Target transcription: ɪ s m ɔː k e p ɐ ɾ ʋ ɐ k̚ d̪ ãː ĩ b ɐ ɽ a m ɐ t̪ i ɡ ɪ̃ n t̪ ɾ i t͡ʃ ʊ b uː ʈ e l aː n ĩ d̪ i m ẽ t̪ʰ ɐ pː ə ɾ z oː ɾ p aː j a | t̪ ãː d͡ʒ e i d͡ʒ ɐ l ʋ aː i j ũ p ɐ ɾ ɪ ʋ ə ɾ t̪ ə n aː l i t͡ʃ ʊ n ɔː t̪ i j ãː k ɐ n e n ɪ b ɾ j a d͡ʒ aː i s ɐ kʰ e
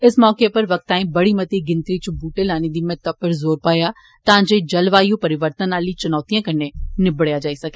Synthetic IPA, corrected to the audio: ɪ s m ɔː k e p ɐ ɾ ʋ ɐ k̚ t̪ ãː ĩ b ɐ ɽ i m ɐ t̪ i ɡ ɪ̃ n t̪ ɾ i t͡ʃ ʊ b uː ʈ e l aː n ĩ d̪ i m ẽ t̪ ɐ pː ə ɾ z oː ɾ p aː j a | t̪ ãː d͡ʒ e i d͡ʒ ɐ l ʋ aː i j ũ p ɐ ɾ ɪ ʋ ə ɾ t̪ ə n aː l i t͡ʃ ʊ n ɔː t̪ i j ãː k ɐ n e n ɪ b ɽ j a d͡ʒ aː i s ɐ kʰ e

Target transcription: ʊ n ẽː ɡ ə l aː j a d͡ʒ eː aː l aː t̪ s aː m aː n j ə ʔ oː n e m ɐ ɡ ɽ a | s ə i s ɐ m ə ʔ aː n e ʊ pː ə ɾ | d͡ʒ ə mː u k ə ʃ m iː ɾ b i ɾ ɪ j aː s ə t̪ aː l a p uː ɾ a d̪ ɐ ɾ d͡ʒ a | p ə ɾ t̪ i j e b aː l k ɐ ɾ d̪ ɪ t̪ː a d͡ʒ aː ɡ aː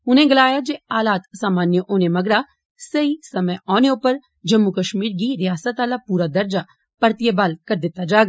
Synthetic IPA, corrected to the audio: ʊ n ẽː ɡ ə l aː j a d͡ʒ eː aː l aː t̪ s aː m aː n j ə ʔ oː n e m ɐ ɡ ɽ a | s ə i s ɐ m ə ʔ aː n e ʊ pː ə ɾ | d͡ʒ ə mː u k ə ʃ m iː ɾ ɡ i ɾ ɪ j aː s ə t̪ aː l a p uː ɾ a d̪ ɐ ɾ d͡ʒ a | p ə ɾ t̪ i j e b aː l k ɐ ɾ d̪ ɪ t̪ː a d͡ʒ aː ɡ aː

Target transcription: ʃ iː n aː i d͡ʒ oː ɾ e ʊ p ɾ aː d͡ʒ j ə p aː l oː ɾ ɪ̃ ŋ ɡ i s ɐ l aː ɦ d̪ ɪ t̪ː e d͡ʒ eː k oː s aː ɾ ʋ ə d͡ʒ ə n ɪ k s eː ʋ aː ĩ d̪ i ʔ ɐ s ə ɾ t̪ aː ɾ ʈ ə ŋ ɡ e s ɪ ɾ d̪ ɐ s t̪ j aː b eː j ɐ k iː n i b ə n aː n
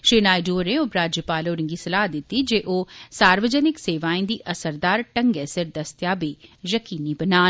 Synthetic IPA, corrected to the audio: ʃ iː n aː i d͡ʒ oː ɾ e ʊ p ɾ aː d͡ʒ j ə p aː l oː ɾ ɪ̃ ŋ ɡ i s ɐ l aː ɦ d̪ ɪ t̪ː i d͡ʒ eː ʔ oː s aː ɾ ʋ ə d͡ʒ ə n ɪ k s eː ʋ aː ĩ d̪ i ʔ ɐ s ə ɾ d̪ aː ɾ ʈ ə ŋ ɡ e s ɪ ɾ d̪ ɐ s t̪ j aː b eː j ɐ k iː n i b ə n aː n

